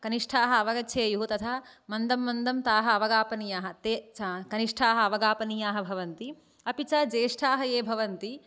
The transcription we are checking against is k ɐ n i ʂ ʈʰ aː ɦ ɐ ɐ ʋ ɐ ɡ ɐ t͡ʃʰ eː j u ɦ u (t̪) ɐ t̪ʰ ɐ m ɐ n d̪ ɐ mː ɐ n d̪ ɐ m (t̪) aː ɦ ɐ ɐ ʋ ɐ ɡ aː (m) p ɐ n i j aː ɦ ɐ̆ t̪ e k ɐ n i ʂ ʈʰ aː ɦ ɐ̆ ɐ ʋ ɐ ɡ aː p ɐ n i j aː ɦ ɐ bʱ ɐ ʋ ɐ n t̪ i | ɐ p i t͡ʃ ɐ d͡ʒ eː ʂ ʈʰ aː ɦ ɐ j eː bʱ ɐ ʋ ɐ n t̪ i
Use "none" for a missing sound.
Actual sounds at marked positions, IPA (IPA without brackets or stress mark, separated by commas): t̪, t̪, none